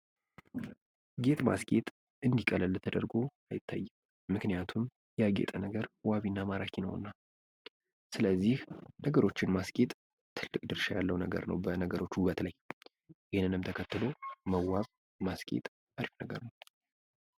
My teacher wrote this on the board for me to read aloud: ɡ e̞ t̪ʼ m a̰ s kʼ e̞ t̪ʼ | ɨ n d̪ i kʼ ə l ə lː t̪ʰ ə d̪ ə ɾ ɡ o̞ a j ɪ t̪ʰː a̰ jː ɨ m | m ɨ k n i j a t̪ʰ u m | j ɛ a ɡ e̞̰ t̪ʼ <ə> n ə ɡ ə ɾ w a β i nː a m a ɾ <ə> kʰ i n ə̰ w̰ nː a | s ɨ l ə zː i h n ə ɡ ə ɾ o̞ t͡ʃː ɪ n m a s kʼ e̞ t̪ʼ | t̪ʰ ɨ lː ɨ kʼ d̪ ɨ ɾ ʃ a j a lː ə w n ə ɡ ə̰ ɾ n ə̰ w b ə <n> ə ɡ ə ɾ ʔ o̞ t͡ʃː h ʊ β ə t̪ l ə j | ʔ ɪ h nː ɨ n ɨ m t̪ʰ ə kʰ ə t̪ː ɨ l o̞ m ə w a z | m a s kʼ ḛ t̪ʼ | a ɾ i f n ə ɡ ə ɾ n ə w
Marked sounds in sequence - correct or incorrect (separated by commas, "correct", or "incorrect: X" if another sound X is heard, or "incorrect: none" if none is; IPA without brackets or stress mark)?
correct, incorrect: a, correct